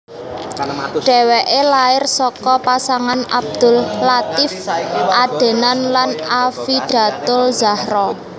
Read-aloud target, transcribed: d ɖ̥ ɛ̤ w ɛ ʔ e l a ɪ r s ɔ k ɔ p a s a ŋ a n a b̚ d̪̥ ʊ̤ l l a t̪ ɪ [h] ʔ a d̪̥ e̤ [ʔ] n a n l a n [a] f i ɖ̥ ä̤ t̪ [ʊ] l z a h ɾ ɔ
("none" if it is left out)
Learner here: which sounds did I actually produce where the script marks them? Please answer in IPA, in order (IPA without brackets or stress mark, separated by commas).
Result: f, none, a, ʊ